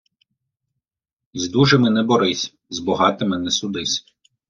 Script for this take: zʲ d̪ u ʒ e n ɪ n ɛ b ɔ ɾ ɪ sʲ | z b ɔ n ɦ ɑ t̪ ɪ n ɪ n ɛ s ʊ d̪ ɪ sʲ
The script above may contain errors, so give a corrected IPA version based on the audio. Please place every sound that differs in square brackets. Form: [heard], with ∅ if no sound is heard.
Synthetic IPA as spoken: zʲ d̪ u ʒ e [m] ɪ n ɛ b ɔ ɾ ɪ sʲ | z b ɔ [∅] ɦ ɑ t̪ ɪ [m] ɪ n ɛ s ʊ d̪ ɪ sʲ